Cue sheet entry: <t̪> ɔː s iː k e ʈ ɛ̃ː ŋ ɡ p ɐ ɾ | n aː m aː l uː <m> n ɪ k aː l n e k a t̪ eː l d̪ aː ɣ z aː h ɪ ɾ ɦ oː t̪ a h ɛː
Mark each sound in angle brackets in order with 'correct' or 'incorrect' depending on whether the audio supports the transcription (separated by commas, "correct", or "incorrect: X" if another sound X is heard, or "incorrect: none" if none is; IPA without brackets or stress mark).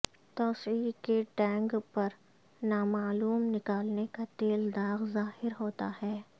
correct, correct